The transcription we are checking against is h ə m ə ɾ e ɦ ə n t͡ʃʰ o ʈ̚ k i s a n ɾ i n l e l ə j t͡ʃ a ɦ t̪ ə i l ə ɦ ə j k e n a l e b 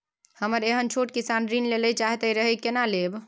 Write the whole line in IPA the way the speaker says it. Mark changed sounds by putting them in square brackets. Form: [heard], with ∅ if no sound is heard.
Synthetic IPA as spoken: h ə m ə ɾ e ɦ ə n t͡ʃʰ o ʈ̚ k i s a n ɾ i n l e l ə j t͡ʃ a ɦ t̪ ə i [ɾ] ə ɦ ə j k e n a l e b